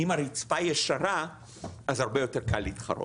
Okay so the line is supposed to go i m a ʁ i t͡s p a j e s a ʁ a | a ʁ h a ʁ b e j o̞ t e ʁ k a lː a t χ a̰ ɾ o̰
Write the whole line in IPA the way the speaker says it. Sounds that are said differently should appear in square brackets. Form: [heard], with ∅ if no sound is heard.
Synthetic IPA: i m a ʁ i t͡s p a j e [ʃ] a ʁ a | a [z] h a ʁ b e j o̞ t e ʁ k a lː [i] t χ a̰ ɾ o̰